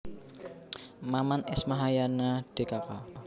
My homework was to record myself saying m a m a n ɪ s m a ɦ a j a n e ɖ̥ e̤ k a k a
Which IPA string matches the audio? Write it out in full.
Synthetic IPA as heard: m a m a n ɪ s m a ɦ a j a n a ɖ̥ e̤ k a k a